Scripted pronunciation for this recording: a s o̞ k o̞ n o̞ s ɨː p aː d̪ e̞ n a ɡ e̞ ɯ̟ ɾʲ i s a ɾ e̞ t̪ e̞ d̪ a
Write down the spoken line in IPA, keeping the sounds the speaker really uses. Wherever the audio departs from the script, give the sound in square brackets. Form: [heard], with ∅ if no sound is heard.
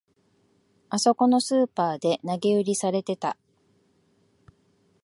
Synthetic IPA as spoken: a s o̞ k o̞ n o̞ s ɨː p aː d̪ e̞ n a ɡ e̞ ɯ̟ ɾʲ i s a ɾ e̞ t̪ e̞ [t̪] a